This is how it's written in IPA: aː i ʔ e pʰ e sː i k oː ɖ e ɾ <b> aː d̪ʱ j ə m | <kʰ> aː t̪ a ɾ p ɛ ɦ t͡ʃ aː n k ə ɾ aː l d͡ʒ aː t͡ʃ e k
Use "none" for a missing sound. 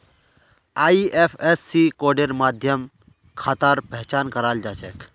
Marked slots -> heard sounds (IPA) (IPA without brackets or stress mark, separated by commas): m, kʰ